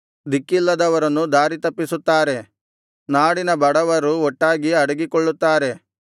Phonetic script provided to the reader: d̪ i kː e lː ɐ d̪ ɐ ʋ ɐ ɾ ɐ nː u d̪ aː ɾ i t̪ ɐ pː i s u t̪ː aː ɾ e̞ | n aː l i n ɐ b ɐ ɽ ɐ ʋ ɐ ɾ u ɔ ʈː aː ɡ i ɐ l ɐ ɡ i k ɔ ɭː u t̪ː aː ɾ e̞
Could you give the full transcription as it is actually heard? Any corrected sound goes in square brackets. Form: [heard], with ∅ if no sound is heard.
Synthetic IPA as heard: d̪ i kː [i] lː ɐ d̪ ɐ ʋ ɐ ɾ ɐ nː u d̪ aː ɾ i t̪ ɐ pː i s u t̪ː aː ɾ e̞ | n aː [ɽ] i n ɐ b ɐ ɽ ɐ ʋ ɐ ɾ u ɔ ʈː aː ɡ i ɐ [ɽ] ɐ ɡ i k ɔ ɭː u t̪ː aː ɾ e̞